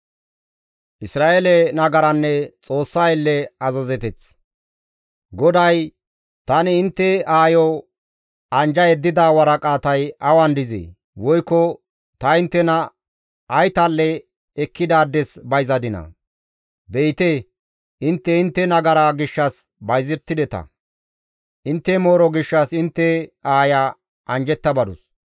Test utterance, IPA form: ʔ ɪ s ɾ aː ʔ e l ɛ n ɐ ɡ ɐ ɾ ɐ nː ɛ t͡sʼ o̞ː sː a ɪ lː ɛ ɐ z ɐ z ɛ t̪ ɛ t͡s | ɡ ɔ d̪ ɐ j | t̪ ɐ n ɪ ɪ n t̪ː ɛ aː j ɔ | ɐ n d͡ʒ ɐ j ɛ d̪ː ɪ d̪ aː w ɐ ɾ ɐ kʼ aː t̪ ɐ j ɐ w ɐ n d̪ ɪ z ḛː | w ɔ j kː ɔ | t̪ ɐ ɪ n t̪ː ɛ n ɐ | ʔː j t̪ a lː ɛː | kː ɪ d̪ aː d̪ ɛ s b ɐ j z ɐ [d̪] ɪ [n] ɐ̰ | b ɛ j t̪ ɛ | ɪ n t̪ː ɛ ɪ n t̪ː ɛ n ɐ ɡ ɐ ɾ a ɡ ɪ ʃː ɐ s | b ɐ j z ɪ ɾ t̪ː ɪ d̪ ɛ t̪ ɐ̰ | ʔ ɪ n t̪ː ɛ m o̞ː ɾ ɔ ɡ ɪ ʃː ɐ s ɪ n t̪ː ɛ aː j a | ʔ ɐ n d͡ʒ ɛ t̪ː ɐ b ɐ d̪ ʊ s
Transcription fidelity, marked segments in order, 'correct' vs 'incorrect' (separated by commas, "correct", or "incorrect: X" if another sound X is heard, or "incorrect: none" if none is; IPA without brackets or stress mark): correct, correct